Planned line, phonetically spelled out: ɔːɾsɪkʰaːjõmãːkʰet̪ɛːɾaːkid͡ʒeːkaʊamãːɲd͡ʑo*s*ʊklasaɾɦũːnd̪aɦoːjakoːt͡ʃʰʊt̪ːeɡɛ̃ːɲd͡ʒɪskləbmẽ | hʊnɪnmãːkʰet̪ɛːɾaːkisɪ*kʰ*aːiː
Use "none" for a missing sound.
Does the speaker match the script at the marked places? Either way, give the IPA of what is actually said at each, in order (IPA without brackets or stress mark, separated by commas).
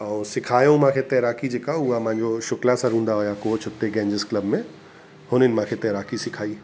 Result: ʃ, kʰ